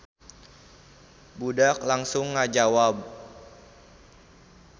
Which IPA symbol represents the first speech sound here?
b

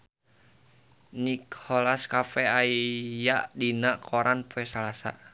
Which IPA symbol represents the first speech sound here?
n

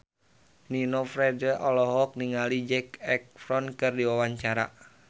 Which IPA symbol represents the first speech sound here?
n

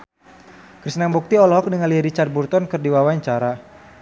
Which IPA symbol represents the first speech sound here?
k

